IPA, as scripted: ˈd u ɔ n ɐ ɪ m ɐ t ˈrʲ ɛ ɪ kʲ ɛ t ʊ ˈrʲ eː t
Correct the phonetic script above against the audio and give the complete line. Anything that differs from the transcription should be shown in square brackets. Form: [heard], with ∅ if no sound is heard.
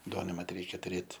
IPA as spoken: ˈd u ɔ n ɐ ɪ m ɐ t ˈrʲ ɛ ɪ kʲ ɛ t ʊ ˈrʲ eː t